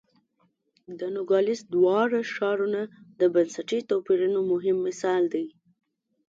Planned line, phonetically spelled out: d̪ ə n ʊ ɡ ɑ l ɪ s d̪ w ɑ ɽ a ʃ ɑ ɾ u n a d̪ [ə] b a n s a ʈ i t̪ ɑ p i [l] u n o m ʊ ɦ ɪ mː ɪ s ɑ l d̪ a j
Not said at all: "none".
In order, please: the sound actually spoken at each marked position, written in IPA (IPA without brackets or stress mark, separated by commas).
ə, ɾ